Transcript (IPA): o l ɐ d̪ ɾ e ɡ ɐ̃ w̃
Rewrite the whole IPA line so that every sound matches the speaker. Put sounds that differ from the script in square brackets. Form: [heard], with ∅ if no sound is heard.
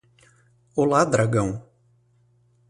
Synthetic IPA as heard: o l [a] d̪ ɾ [a] ɡ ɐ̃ w̃